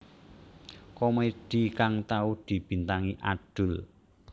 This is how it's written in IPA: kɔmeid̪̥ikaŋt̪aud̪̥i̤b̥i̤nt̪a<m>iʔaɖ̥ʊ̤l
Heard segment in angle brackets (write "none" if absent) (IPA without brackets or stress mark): ŋ